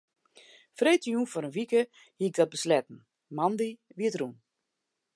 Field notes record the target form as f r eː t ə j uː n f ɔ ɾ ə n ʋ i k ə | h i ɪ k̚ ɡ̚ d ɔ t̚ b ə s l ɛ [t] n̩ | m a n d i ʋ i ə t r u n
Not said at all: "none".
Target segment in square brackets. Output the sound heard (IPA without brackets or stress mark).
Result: t